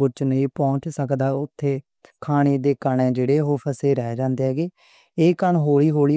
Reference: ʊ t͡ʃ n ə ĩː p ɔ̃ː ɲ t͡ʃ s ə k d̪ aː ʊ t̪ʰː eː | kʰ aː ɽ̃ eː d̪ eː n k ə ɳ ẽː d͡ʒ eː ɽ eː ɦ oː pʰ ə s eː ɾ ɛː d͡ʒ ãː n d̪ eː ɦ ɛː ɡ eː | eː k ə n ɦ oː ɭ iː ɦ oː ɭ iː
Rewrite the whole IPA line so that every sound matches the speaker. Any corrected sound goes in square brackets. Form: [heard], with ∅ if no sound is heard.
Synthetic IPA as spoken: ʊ t͡ʃ n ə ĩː p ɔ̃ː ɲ t͡ʃ s ə k d̪ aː ʊ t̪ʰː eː | kʰ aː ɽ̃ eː d̪ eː [∅] k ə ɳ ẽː d͡ʒ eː ɽ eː ɦ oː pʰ ə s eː ɾ ɛː d͡ʒ ãː n d̪ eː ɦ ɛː ɡ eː | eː k ə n ɦ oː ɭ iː ɦ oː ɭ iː